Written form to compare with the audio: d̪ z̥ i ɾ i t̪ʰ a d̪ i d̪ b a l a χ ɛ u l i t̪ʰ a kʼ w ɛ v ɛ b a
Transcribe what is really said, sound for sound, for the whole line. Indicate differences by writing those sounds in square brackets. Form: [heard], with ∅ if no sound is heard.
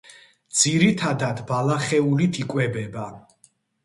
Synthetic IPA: d̪ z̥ i ɾ i t̪ʰ a d̪ [a] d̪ b a l a χ ɛ u l i t̪ʰ [i] kʼ w ɛ [b] ɛ b a